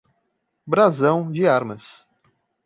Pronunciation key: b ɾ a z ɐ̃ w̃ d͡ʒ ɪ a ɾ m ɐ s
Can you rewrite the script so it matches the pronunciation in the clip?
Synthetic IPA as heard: b ɾ a z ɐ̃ w̃ d͡ʒ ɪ a ɾ m ɐ s